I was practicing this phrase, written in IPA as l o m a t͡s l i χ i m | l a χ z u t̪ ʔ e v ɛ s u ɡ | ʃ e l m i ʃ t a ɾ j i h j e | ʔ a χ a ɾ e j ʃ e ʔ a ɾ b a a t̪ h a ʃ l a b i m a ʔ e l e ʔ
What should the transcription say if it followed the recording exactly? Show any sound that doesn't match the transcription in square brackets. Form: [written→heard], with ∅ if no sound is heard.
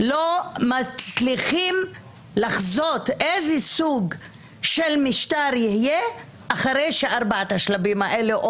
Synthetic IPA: l o m a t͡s l i χ i m | l a χ z [u→o] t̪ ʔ e [v→z] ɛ s u ɡ | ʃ e l m i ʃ t a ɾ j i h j e | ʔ a χ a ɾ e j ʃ e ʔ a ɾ b a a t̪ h a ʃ l a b i m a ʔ e l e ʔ